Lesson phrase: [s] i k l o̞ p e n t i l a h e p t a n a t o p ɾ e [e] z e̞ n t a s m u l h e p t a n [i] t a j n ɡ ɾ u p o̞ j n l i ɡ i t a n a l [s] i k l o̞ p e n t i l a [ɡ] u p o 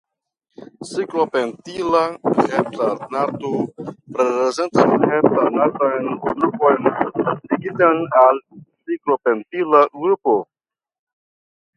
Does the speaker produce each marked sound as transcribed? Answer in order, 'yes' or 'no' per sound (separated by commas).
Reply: yes, yes, no, yes, yes